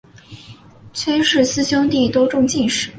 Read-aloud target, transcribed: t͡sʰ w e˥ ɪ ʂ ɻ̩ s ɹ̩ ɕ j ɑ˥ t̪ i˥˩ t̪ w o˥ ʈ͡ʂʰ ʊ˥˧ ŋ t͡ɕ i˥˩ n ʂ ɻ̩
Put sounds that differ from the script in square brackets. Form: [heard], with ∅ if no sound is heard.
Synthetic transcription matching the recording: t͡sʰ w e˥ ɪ ʂ ɻ̩ s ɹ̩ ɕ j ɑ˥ t̪ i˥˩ t̪ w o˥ [ʈ͡ʂ] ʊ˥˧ ŋ t͡ɕ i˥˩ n ʂ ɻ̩